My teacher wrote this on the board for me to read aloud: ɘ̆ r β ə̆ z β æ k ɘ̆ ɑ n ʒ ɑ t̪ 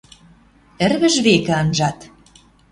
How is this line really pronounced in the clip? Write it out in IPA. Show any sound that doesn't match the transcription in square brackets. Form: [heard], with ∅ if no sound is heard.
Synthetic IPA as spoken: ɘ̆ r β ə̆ [ʒ] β [e] k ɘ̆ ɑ n ʒ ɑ t̪